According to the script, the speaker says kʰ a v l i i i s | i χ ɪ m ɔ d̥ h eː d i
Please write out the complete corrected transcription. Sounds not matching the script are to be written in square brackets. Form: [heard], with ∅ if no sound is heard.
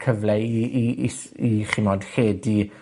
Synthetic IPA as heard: kʰ [ə] v l [ɛ] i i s | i χ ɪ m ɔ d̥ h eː d i

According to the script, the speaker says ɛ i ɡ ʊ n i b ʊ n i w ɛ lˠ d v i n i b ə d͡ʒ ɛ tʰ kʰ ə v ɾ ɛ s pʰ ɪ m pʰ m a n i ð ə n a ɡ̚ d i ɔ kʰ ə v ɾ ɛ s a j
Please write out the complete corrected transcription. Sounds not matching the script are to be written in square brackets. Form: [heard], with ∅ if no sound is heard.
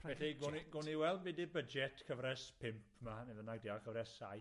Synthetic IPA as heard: ɛ i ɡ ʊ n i [ɡ] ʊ n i w ɛ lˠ d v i [d] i b ə d͡ʒ ɛ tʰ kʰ ə v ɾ ɛ s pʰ ɪ m pʰ m a n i ð ə n a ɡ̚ d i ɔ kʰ ə v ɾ ɛ s a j

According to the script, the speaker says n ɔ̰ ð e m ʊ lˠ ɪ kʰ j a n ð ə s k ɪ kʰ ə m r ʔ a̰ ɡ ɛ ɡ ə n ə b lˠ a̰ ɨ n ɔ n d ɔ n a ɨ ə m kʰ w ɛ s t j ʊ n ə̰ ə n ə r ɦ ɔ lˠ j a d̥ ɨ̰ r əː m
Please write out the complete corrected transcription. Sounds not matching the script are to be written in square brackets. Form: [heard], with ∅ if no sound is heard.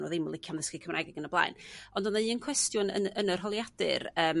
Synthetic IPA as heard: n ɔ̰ ð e m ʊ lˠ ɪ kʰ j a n ð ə s k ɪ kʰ ə m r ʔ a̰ ɡ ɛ ɡ ə n ə b lˠ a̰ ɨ n ɔ n d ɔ n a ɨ ə [n] kʰ w ɛ s t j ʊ n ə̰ ə n ə r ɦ ɔ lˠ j a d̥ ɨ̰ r əː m

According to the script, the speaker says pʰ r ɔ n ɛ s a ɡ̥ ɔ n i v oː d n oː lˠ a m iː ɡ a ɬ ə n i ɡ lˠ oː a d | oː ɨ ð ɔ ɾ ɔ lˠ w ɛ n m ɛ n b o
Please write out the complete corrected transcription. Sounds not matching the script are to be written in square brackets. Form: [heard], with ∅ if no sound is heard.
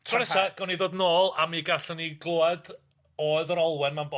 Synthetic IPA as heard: [tʰ] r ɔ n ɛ s a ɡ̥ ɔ n i [ð] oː d n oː lˠ a m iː ɡ a ɬ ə n i ɡ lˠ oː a d | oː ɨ ð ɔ ɾ ɔ lˠ w ɛ n m [a] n b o

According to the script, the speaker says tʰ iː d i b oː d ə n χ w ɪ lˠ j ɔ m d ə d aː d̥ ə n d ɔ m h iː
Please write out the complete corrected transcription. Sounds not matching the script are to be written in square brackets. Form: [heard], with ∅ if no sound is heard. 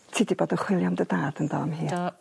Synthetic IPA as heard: tʰ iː d i b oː d ə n χ w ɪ lˠ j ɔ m d ə d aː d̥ ə n d ɔ m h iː

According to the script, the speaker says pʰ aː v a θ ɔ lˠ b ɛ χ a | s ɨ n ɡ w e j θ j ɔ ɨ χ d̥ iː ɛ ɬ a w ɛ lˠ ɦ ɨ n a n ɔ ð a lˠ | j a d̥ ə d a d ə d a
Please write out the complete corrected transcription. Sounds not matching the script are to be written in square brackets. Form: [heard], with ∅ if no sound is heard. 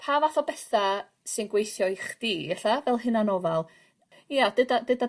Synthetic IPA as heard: pʰ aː v a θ ɔ [∅] b ɛ [θ] a | s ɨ n ɡ w e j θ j ɔ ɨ χ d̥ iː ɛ ɬ a [v] ɛ lˠ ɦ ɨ n a n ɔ [v] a lˠ | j a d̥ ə d a d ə d a

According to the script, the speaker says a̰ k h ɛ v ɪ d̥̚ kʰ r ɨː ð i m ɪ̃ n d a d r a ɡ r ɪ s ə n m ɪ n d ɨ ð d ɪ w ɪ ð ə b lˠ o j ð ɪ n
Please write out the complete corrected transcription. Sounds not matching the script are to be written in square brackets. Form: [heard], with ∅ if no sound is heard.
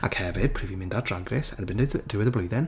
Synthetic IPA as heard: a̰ k h ɛ v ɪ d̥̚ [pʰ] r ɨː [v] i m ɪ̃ n d a d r a ɡ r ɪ s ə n [b] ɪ n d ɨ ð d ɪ w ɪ ð ə b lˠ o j ð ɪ n

